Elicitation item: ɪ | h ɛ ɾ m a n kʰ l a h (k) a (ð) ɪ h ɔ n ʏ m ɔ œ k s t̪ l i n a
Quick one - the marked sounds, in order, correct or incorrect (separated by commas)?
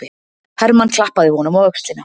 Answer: incorrect, correct